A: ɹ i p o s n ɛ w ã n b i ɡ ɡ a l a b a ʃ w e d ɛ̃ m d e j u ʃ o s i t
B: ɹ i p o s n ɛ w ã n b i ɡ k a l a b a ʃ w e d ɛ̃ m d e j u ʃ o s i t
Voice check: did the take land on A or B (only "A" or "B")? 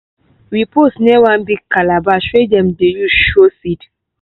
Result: B